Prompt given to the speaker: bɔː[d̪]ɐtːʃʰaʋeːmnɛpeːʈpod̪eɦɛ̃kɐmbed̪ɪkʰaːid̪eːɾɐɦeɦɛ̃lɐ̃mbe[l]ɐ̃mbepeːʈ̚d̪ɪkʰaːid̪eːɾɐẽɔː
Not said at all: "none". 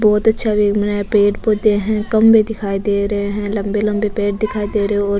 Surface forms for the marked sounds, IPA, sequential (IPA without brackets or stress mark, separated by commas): t̪, l